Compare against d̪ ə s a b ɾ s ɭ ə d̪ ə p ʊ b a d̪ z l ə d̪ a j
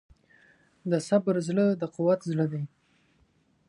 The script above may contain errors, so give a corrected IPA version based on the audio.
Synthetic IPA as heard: d̪ ə s a b ɾ z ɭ ə d̪ ə q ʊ w a t̪ z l ə d̪ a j